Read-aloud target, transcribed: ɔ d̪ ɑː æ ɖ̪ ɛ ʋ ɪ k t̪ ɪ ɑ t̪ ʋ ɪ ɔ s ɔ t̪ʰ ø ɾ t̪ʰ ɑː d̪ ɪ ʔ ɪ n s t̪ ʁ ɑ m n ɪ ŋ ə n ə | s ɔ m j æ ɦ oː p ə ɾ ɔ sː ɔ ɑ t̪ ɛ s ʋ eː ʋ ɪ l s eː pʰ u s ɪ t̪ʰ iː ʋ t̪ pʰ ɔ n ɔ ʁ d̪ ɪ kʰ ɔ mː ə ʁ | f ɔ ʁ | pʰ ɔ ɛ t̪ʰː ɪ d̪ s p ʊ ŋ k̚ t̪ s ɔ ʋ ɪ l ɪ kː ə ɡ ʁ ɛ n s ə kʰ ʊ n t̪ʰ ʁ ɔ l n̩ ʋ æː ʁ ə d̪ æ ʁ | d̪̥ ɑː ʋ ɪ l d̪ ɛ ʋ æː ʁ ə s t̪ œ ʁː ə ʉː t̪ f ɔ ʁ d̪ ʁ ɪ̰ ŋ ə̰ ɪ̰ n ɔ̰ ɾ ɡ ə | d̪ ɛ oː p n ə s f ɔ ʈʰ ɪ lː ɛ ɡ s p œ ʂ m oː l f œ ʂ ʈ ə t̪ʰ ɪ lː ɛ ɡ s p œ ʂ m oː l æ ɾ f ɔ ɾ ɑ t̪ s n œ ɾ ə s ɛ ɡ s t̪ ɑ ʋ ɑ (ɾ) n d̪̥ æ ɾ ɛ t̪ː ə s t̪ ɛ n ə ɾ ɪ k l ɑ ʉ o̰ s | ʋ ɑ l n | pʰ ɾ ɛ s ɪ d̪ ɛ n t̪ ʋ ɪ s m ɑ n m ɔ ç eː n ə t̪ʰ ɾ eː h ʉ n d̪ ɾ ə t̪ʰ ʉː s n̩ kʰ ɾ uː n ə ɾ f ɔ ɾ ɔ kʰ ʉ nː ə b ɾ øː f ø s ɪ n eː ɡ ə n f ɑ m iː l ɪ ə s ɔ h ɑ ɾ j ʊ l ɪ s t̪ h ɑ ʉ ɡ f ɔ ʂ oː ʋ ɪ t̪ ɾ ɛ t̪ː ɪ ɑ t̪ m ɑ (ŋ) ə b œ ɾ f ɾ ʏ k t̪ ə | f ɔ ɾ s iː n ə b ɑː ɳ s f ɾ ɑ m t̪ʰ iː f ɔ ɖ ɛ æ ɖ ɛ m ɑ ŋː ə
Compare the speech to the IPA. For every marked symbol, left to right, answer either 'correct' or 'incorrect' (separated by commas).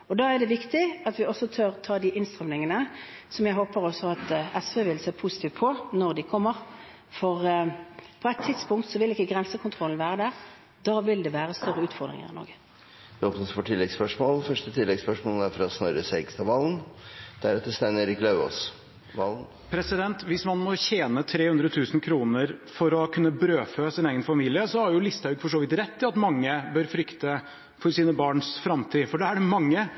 incorrect, incorrect